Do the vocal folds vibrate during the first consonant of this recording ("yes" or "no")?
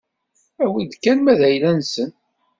yes